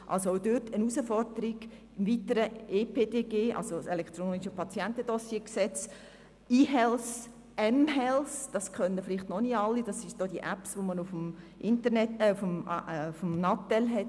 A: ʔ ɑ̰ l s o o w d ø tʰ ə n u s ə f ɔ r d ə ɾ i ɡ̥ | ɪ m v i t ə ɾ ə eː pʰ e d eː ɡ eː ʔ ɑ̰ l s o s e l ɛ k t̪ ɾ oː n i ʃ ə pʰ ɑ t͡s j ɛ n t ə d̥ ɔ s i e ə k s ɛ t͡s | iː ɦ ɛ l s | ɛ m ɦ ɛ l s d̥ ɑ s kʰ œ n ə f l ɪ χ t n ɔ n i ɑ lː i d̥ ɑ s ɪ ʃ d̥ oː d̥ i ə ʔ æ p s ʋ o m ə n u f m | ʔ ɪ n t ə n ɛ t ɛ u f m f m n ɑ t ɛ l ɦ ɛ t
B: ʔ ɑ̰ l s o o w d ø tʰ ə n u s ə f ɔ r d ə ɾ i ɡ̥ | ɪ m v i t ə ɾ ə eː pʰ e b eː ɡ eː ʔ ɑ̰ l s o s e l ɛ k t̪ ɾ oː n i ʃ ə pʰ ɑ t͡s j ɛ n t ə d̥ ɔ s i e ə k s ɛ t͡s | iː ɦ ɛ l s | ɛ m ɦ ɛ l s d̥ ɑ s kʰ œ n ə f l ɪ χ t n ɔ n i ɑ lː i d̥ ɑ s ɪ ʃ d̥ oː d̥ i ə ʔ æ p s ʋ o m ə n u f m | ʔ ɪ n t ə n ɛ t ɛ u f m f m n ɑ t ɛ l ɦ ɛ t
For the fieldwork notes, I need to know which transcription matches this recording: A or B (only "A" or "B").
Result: A